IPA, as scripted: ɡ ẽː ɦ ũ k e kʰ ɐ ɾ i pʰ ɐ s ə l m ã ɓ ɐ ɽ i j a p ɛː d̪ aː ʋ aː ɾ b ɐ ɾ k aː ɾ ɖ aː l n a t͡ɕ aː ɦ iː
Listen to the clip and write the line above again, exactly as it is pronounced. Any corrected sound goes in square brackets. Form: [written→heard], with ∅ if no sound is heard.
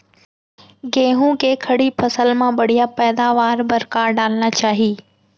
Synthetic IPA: ɡ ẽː ɦ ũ k e kʰ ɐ [ɾ→ɽ] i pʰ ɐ s ə l m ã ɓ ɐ ɽ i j a p ɛː d̪ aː ʋ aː ɾ b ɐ ɾ k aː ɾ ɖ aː l n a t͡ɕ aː ɦ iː